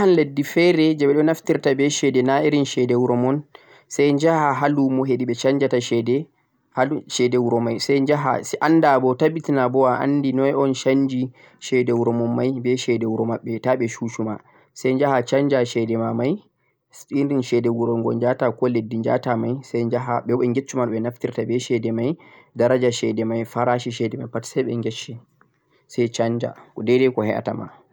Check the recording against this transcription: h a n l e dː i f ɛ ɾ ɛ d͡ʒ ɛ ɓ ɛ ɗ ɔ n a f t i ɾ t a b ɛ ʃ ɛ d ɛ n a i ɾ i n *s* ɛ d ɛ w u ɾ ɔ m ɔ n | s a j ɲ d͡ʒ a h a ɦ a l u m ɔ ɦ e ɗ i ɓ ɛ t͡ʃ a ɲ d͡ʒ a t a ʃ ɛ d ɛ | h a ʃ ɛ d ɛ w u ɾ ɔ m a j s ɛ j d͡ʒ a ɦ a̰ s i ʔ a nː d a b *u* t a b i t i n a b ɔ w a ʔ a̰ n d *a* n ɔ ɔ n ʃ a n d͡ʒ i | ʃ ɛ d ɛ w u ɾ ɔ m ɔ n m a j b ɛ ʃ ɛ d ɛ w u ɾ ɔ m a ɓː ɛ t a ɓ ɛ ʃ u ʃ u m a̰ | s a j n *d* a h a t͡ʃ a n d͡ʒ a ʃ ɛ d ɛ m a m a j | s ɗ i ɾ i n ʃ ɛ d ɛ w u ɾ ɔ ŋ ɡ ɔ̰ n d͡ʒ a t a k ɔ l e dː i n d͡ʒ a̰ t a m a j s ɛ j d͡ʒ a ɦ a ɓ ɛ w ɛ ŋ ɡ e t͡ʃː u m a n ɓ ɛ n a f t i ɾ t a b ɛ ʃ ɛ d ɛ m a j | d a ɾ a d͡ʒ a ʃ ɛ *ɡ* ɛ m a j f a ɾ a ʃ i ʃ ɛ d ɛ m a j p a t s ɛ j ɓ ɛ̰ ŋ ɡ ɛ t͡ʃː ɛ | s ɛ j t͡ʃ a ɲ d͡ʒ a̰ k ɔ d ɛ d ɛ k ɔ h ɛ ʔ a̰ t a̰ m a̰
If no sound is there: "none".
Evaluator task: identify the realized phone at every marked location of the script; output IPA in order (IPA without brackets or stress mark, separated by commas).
ʃ, ɔ, i, d͡ʒ, d